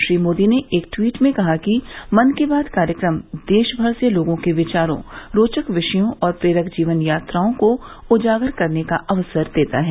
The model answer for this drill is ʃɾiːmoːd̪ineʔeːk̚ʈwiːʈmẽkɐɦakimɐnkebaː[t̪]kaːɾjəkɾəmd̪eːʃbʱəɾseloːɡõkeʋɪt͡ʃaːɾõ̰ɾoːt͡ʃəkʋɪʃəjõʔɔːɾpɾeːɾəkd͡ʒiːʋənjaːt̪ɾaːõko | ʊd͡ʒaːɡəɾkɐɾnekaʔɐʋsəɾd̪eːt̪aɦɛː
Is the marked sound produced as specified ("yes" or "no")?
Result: no